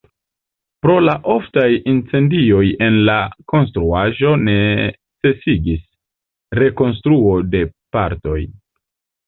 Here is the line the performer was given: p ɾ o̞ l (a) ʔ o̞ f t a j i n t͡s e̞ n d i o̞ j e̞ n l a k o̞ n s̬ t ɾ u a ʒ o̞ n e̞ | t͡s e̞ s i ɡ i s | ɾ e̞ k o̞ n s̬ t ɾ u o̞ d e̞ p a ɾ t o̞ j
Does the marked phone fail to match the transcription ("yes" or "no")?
no